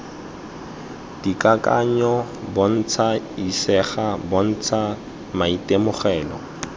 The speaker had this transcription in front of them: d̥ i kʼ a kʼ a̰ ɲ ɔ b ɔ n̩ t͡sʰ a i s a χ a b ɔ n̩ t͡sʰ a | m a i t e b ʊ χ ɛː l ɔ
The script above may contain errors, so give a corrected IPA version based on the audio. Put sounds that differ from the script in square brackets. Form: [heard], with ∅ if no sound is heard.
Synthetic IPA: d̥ i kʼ a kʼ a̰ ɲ ɔ b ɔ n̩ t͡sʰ a i s [ɛ] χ a b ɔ n̩ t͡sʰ a | m a i t e [m] ʊ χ ɛː l ɔ